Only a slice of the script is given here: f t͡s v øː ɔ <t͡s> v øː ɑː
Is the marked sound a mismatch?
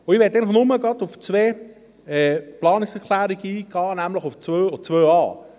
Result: no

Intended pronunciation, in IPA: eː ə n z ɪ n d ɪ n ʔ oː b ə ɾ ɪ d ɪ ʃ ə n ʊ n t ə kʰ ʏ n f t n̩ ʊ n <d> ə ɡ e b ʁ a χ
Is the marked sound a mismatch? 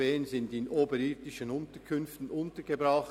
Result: yes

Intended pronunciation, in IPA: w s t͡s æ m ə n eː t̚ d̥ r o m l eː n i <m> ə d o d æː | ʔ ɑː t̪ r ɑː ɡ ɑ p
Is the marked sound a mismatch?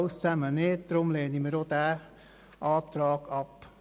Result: no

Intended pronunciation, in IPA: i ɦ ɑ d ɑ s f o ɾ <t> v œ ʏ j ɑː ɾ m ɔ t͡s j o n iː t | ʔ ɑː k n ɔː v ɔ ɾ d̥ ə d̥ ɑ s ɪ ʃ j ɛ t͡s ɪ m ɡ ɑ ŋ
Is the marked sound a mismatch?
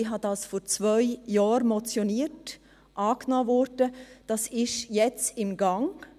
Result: yes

